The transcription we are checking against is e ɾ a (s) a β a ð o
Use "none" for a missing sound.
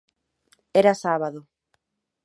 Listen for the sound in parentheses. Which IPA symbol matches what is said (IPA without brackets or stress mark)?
s